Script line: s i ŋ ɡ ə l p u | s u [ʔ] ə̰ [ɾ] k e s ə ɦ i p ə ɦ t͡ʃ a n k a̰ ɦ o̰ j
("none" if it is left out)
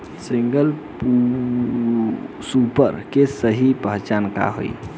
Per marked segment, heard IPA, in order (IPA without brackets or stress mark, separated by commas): p, ɾ